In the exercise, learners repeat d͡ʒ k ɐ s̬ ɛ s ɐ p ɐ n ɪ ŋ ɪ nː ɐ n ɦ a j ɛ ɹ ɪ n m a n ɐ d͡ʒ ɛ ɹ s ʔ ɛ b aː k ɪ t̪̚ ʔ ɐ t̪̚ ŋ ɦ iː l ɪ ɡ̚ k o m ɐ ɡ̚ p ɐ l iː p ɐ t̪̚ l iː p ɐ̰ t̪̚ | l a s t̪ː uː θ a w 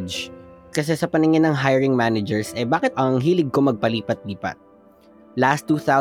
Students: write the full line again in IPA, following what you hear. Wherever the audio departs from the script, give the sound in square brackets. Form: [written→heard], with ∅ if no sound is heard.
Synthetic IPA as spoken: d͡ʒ k ɐ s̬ ɛ s ɐ p ɐ n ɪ ŋ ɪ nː ɐ [n→ŋ] ɦ a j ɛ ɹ ɪ [n→ŋ] m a n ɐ d͡ʒ ɛ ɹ s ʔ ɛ b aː k ɪ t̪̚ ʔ ɐ [t̪̚→∅] ŋ ɦ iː l ɪ ɡ̚ k o m ɐ ɡ̚ p ɐ l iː p ɐ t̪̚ l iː p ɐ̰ t̪̚ | l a s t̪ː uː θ a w